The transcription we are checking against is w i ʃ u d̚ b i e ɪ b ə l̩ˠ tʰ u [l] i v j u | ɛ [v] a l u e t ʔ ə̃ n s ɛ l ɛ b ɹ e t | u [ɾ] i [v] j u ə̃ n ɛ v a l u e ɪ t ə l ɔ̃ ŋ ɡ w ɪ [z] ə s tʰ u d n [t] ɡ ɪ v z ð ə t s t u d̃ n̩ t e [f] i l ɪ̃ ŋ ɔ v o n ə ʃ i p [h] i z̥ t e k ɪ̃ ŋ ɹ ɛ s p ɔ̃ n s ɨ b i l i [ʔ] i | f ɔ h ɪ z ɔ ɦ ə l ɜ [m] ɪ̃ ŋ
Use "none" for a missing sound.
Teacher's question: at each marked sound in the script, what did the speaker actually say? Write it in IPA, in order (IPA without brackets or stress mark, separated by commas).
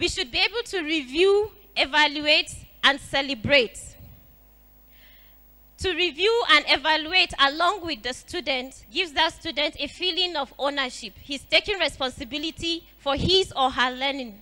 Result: ɹ, v, ɹ, v, ð, t, f, h, t, n